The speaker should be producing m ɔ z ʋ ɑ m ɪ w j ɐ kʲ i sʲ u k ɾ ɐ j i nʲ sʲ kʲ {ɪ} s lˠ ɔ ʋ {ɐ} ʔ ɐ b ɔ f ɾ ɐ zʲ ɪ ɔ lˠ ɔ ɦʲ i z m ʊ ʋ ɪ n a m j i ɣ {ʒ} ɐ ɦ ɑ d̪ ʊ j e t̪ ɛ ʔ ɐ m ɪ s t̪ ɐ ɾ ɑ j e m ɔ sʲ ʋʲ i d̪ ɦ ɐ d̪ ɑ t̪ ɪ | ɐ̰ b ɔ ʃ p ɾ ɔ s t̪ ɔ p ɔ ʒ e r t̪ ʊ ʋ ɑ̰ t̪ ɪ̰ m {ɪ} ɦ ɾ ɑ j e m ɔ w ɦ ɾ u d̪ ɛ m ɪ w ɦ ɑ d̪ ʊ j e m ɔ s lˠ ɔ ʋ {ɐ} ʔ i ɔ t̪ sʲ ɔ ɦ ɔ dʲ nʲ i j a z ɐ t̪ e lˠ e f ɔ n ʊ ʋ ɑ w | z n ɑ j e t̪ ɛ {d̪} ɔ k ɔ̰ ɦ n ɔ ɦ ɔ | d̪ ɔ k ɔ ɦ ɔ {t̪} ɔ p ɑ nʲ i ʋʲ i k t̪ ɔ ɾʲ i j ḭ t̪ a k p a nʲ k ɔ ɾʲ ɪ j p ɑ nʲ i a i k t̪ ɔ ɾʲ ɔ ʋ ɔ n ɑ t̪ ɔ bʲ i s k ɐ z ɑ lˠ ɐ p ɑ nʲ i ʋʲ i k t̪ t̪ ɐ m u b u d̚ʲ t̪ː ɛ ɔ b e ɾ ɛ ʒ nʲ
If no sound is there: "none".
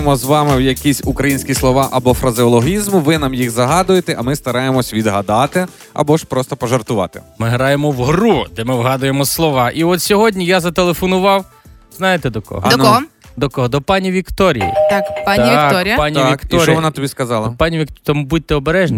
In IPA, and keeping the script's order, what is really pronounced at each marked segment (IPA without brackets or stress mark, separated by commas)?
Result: i, ɑ, z, ɪ, ɑ, d̪, d̪